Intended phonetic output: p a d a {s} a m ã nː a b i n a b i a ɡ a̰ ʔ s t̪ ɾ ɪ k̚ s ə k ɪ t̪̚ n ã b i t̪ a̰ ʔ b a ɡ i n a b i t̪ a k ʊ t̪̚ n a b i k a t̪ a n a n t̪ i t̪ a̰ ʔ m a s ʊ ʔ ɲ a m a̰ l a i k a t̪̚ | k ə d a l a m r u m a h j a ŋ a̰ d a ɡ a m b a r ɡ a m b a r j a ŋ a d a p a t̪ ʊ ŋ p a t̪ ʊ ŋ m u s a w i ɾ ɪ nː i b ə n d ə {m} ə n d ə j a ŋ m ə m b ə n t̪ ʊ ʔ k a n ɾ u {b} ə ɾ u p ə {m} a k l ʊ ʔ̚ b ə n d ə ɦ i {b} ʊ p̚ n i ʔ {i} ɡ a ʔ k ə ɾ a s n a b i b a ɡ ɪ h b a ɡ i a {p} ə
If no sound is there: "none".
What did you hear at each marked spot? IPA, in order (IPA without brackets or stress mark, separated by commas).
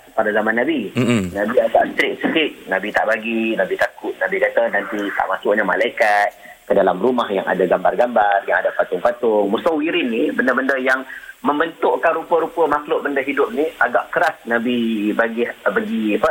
z, b, p, m, d, a, p